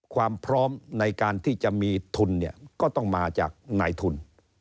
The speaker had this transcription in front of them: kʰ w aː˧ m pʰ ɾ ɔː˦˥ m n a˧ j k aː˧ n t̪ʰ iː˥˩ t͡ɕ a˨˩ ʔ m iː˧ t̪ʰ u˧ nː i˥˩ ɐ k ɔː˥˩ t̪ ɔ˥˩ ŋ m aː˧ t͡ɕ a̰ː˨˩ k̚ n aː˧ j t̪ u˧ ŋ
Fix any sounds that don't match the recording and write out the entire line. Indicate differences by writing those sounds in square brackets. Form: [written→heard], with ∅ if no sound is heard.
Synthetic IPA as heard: kʰ w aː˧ m pʰ ɾ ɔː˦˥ m n a˧ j k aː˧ n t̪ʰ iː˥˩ t͡ɕ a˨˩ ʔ m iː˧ t̪ʰ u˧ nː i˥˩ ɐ k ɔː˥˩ t̪ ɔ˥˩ ŋ m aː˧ t͡ɕ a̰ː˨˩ k̚ n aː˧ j [t̪→t̪ʰ] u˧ [ŋ→n]